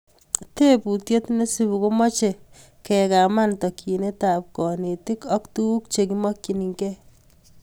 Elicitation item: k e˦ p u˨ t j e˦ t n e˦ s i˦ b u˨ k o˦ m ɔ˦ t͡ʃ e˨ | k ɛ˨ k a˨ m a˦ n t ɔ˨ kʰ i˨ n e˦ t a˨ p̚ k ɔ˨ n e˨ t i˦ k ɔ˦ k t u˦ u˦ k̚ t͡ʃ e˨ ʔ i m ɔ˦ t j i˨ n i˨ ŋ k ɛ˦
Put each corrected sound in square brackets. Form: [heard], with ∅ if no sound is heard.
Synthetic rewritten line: [t] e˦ p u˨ t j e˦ t n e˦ s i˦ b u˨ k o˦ m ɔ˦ t͡ʃ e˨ | k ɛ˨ k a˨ m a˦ n t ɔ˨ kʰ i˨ n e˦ t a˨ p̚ k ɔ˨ n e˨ t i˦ k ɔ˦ k t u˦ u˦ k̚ t͡ʃ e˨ [k] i m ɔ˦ [k] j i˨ n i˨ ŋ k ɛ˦